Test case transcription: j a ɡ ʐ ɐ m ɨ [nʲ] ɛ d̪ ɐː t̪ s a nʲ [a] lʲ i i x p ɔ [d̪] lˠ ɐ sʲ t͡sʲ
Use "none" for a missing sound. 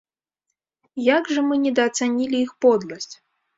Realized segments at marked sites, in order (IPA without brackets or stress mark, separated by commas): nʲ, i, d̪